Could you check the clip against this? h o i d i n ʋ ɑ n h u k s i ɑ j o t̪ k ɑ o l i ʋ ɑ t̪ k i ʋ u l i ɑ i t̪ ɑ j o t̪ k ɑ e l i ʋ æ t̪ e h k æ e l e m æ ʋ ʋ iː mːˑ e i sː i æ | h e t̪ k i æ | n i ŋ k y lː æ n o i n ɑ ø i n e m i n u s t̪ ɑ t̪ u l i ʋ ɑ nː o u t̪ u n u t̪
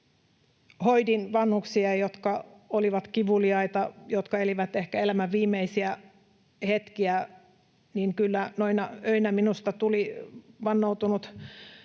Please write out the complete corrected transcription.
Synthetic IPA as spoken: h o i d i n ʋ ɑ n h u k s i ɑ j o t̪ k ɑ o l i ʋ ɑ t̪ k i ʋ u l i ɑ i t̪ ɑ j o t̪ k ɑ e l i ʋ æ t̪ e h k æ e l æ m æ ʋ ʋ iː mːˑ e i s i æ | h e t̪ k i æ | n i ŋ k y lː æ n o i n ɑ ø i n æ m i n u s t̪ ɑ t̪ u l i ʋ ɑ nː o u t̪ u n u t̪